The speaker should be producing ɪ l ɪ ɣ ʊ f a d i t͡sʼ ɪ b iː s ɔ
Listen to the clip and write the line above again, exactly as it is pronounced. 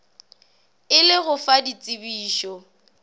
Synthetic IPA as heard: ɪ l ɪ ɣ ʊ f a d i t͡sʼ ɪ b iː ʃ ɔ